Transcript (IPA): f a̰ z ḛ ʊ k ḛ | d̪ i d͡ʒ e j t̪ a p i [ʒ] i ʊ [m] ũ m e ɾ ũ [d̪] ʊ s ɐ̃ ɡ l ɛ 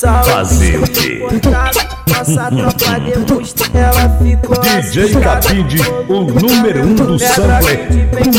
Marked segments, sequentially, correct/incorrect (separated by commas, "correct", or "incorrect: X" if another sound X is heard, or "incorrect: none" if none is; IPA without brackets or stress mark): incorrect: d͡ʒ, incorrect: n, correct